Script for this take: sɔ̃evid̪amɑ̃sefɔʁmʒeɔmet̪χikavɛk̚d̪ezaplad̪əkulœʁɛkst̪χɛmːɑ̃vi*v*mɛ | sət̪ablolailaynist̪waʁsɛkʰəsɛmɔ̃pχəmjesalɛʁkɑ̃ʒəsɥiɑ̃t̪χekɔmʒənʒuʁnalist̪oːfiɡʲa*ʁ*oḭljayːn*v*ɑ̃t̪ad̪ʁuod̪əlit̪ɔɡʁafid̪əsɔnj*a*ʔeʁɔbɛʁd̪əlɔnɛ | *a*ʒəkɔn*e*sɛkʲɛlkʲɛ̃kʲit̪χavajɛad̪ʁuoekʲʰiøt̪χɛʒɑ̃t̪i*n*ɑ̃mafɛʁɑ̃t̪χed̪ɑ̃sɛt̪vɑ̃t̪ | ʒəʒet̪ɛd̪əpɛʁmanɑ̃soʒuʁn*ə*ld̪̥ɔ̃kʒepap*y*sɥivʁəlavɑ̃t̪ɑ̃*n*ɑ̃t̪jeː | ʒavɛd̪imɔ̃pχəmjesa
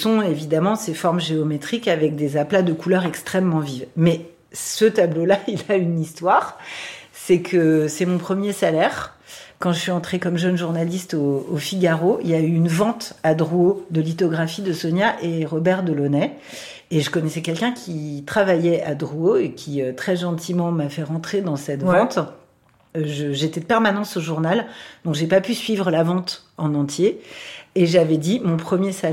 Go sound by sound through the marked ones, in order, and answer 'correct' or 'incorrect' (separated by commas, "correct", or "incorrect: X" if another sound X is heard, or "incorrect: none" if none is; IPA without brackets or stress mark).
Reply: correct, correct, correct, correct, incorrect: e, incorrect: ɛ, incorrect: m, incorrect: a, correct, correct